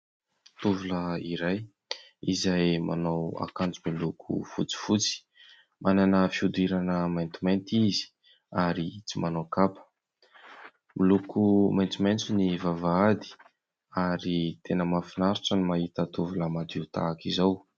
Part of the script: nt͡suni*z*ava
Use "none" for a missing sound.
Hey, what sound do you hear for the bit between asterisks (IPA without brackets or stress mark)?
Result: v